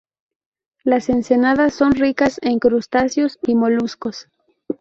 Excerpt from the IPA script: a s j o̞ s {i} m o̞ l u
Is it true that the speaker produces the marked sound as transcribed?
yes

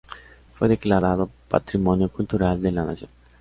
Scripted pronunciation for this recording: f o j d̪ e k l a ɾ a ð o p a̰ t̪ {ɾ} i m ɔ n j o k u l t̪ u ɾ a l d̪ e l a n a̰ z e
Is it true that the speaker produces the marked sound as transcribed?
yes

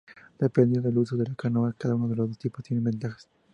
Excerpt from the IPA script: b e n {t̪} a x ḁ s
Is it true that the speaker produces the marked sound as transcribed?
yes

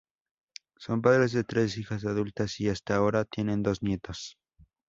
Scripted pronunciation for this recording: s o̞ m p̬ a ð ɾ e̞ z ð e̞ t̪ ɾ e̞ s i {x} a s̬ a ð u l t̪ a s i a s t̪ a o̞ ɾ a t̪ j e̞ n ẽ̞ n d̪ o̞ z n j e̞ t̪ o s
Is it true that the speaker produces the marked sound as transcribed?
yes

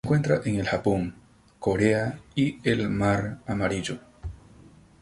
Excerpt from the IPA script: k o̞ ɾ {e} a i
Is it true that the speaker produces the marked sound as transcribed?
yes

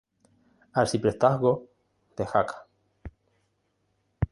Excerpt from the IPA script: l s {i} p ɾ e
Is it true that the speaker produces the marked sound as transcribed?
yes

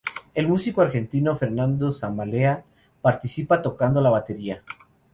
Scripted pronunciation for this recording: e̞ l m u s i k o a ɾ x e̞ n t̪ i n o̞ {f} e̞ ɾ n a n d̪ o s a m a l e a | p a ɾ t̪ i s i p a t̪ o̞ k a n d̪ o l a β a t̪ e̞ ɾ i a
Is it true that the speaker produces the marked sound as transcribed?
yes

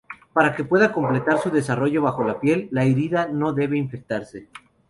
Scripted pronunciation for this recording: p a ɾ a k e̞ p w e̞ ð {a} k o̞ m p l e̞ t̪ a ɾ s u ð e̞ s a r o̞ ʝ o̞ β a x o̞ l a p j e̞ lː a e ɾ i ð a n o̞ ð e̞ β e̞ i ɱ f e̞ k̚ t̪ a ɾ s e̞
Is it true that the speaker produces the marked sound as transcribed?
yes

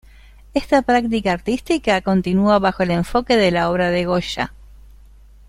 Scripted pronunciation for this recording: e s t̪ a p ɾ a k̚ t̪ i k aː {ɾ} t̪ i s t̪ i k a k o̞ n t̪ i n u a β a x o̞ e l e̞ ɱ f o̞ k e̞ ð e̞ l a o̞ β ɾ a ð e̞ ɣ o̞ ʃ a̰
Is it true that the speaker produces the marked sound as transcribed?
yes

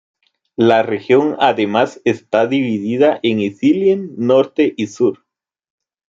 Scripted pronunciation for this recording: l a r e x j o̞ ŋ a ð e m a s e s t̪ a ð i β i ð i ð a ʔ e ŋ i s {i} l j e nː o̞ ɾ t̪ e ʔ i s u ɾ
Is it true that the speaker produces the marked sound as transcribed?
yes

